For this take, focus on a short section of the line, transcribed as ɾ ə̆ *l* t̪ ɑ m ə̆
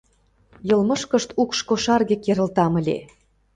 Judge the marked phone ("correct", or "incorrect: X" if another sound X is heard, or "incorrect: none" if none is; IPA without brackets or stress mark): correct